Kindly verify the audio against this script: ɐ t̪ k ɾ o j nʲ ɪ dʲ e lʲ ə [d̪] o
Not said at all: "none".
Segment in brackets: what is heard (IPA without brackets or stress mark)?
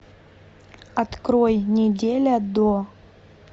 d̪